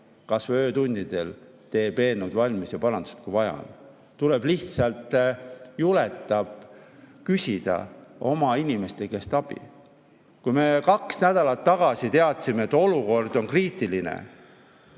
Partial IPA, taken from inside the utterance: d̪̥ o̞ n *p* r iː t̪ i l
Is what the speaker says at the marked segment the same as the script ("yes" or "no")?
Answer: no